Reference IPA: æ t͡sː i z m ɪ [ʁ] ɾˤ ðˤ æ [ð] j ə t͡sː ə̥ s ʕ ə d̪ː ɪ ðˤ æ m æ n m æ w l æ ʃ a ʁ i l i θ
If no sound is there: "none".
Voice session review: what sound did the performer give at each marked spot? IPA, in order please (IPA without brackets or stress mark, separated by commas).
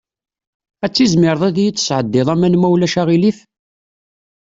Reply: none, ð